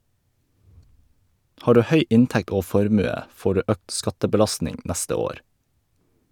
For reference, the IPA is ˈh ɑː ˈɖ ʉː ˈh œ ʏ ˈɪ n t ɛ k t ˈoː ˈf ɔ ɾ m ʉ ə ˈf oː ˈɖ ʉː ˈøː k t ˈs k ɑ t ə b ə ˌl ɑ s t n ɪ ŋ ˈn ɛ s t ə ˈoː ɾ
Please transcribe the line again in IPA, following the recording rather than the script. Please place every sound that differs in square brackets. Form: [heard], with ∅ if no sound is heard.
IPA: ˈh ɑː ˈɖ ʉː ˈh œ ʏ ˈɪ n t ɛ k t ˈoː ˈf ɔ ɾ m ʉ ə ˈf oː ˈɖ ʉː ˈøː k t ˈs k ɑ t ə b ə ˌl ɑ s t n ɪ ŋ ˈn [æ] s t ə ˈoː ɾ